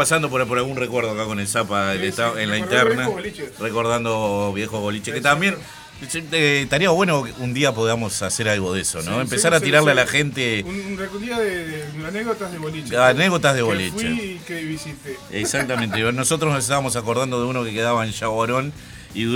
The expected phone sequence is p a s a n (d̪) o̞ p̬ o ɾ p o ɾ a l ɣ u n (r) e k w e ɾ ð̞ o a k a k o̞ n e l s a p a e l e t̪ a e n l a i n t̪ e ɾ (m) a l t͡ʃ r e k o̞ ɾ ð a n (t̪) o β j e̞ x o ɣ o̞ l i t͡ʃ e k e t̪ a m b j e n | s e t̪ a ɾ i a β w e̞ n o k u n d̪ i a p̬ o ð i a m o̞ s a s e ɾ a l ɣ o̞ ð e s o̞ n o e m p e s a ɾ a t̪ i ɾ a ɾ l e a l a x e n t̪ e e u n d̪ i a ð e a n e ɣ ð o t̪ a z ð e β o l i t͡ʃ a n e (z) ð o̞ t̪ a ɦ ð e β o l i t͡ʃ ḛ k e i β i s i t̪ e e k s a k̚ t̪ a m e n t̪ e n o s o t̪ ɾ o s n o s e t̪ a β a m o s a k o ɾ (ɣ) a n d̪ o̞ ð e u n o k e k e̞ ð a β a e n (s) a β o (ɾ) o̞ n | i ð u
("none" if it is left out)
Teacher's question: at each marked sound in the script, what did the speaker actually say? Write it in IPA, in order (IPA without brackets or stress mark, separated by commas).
d̪, r, n, d̪, ɣ, ð, ʃ, ɾ